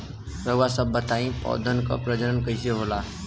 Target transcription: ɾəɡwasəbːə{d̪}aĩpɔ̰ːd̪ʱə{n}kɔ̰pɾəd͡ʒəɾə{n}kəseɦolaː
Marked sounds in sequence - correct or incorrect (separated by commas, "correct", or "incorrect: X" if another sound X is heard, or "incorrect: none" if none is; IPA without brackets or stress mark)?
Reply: incorrect: t̪, correct, correct